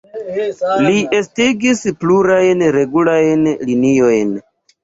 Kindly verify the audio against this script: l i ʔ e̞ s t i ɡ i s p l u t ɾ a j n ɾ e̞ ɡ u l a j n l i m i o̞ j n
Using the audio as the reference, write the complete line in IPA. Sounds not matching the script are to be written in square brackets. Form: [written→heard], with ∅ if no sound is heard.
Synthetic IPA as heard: l i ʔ e̞ s t i ɡ i s p l u [t→∅] ɾ a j n ɾ e̞ ɡ u l a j n l i [m→n] i o̞ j n